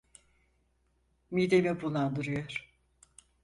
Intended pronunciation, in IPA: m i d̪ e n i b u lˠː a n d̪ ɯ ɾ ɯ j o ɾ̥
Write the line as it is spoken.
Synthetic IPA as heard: m i d̪ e m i b u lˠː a n d̪ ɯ ɾ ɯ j o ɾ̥